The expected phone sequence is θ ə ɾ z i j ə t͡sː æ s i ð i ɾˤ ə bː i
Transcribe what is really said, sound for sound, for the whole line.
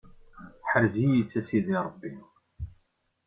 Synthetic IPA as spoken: ħ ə ɾ z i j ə t͡sː æ s i ð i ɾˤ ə bː i

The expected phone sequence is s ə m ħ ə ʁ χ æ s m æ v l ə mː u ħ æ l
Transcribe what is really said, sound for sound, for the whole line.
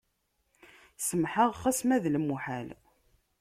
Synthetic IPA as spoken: s ə m ħ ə ʁ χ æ s m æ ð l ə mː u ħ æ l

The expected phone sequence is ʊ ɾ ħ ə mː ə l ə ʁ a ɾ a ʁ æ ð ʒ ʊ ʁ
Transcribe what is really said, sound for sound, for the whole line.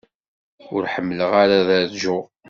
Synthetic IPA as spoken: ʊ ɾ ħ ə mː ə l ə ʁ a ɾ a ð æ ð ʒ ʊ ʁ

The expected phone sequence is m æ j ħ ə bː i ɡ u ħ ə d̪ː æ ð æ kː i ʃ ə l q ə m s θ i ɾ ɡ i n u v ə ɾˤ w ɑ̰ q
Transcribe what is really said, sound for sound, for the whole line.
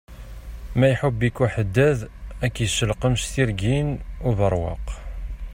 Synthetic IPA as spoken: m æ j ħ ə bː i k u ħ ə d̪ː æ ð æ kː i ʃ ə l q ə m ʃ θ i ɾ ɡ i n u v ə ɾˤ w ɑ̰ q

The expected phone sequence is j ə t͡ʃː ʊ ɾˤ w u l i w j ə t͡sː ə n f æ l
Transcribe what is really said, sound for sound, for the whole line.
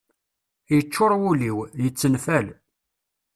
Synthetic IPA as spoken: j ə t͡ʃː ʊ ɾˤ w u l i w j ə t͡sː ə n f æ l

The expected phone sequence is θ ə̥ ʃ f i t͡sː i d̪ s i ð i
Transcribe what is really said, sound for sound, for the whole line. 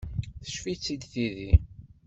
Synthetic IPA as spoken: θ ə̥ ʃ f i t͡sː i d̪ θ i ð i

